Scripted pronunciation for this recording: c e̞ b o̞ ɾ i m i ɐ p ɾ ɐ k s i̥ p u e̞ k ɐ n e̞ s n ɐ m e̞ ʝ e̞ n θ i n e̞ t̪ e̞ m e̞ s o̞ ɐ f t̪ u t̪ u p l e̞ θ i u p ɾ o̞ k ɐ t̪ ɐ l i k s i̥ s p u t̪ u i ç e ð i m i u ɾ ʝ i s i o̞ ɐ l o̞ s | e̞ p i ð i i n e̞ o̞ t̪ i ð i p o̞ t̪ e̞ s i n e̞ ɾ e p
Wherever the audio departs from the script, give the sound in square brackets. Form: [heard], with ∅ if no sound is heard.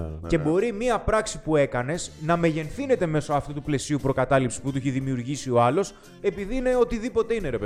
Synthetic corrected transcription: c e̞ b o̞ ɾ i m i ɐ p ɾ ɐ k s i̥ p u e̞ k ɐ n e̞ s n ɐ m e̞ ʝ e̞ n θ i n e̞ t̪ e̞ m e̞ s o̞ ɐ f t̪ u t̪ u p l e̞ [s] i u p ɾ o̞ k ɐ t̪ ɐ l i [p] s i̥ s p u t̪ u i ç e ð i m i u ɾ ʝ i s i o̞ ɐ l o̞ s | e̞ p i ð i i n e̞ o̞ t̪ i ð i p o̞ t̪ e̞ [∅] i n e̞ ɾ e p